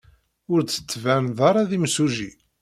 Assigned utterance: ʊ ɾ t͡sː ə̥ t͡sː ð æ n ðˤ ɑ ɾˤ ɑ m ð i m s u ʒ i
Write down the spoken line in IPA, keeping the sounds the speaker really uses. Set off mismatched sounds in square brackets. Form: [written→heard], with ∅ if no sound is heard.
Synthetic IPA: ʊ ɾ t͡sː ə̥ t͡sː [ð→v] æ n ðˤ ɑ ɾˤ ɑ [m→∅] ð i m s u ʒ i